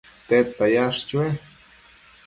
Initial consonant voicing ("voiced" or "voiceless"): voiceless